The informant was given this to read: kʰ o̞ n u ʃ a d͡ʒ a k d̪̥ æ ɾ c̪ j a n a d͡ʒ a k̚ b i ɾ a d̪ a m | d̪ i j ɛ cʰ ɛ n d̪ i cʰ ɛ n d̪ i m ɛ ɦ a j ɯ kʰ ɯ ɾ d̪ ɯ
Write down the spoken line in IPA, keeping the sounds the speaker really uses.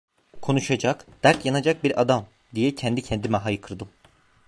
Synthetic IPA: kʰ o̞ n u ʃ a d͡ʒ a k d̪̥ æ ɾ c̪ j a n a d͡ʒ a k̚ b i ɾ a d̪ a m | d̪ i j ɛ cʰ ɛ n d̪ i cʰ ɛ n d̪ i m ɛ ɦ a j ɯ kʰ ɯ ɾ d̪ ɯ